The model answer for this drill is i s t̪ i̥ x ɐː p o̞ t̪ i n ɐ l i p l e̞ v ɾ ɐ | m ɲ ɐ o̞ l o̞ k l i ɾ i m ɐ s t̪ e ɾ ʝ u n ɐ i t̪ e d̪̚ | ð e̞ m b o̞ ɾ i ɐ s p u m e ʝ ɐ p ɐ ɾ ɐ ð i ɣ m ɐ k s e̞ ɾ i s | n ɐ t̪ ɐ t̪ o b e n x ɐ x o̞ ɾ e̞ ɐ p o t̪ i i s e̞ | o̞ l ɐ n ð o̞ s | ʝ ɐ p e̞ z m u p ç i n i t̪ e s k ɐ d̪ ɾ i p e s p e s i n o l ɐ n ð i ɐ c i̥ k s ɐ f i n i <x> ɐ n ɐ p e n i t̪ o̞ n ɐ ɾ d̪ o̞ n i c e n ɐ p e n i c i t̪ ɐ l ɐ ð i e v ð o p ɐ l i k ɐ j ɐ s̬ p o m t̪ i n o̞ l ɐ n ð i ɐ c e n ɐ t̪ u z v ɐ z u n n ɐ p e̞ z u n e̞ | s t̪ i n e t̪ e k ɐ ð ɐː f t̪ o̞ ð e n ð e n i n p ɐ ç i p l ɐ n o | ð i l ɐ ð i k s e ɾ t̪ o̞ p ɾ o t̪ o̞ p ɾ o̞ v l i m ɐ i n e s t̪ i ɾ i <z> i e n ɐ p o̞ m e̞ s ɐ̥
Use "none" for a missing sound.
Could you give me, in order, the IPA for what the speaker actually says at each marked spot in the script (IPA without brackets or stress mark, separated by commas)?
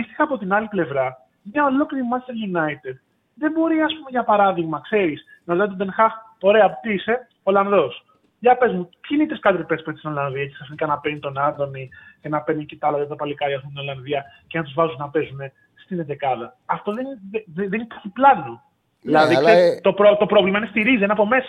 k, z